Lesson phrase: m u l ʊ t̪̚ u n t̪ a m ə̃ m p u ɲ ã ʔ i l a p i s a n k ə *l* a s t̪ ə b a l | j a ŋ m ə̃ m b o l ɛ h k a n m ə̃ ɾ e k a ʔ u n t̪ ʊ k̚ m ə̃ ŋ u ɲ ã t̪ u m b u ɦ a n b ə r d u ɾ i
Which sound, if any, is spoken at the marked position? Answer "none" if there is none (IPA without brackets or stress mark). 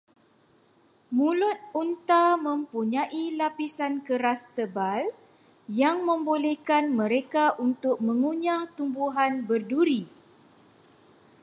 ɾ